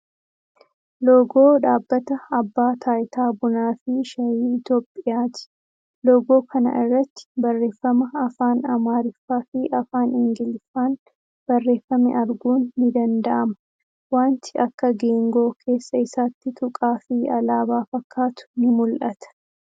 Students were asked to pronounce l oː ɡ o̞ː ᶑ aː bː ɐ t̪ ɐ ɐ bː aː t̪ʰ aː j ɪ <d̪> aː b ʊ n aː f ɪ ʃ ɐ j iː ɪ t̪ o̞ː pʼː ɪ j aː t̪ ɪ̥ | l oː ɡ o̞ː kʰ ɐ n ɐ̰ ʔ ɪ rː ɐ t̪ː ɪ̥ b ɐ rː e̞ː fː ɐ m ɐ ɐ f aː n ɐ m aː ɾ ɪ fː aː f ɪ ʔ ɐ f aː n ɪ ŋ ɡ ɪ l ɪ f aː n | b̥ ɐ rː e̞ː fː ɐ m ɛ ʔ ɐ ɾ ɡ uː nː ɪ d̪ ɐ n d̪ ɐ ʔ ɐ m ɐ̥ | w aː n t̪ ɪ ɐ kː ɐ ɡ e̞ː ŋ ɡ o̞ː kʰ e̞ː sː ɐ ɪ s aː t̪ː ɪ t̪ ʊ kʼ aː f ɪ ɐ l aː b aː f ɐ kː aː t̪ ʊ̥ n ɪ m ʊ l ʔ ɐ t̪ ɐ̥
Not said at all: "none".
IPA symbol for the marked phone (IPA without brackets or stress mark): t̪